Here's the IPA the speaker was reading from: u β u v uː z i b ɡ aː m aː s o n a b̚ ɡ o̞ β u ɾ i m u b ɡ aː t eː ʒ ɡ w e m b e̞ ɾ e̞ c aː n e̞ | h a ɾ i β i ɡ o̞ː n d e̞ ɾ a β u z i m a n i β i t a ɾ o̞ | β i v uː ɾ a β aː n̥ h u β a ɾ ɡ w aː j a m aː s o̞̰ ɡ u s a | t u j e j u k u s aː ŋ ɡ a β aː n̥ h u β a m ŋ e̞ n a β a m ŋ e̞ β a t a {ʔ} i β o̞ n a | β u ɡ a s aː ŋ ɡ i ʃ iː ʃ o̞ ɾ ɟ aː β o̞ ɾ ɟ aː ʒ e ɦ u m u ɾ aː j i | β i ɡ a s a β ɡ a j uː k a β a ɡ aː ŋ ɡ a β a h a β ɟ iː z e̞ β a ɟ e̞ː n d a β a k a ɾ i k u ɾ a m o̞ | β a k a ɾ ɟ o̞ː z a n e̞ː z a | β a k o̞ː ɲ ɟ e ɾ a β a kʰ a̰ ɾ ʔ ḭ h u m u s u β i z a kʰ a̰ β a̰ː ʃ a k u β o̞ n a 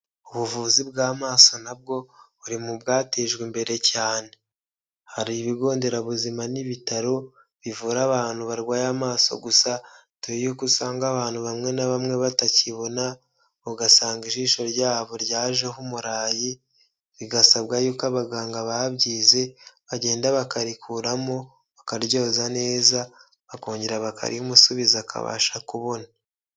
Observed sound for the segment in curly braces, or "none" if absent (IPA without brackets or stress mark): c